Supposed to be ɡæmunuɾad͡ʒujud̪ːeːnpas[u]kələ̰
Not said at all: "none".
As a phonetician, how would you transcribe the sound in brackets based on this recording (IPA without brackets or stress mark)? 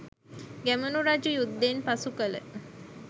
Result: u